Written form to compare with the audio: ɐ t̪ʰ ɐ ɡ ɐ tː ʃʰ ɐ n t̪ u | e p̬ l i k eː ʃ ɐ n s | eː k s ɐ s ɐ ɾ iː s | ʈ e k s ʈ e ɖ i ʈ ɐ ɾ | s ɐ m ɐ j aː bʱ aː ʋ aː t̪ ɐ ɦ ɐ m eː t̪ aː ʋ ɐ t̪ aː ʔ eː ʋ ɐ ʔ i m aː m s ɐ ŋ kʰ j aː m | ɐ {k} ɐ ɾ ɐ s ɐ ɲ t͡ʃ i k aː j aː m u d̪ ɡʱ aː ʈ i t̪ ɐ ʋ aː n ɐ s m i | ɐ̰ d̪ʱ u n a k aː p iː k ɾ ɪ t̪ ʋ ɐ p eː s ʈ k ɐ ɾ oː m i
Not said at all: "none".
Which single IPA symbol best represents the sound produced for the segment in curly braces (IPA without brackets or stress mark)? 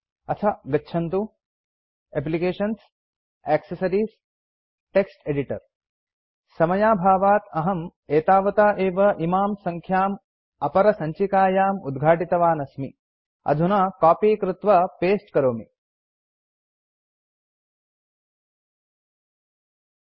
p